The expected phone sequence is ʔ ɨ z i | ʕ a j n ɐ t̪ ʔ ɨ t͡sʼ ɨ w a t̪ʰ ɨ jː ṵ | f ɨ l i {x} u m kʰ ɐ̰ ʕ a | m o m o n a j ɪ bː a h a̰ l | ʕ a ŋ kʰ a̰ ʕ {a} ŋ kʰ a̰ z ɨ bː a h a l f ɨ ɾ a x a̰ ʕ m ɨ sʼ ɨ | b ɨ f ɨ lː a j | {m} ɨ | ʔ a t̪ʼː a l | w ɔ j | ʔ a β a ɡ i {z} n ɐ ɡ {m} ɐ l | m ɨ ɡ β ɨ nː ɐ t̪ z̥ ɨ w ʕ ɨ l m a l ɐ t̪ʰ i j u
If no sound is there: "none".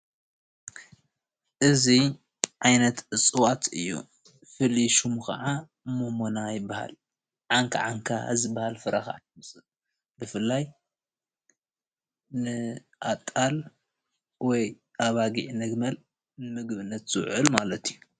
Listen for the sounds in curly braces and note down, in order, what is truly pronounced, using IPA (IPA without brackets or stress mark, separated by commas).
ʃ, a, n, ʕ, m